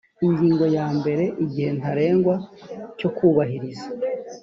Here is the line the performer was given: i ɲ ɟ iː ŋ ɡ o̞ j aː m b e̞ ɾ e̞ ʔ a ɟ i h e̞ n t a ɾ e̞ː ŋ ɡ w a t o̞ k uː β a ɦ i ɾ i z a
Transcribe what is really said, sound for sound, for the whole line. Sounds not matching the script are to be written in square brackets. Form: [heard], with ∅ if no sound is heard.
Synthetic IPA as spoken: i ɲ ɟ iː ŋ ɡ o̞ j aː m b e̞ ɾ e̞ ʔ [i] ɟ i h e̞ n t a ɾ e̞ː ŋ ɡ w a [c] o̞ k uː β a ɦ i ɾ i z a